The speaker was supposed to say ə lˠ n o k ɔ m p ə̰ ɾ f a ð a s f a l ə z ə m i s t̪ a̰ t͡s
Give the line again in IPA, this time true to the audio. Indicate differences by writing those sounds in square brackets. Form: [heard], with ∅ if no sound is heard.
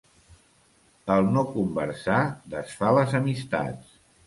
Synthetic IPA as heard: ə lˠ n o k [u] m [b] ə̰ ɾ [s] a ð [ə] s f a l ə z ə m i s t̪ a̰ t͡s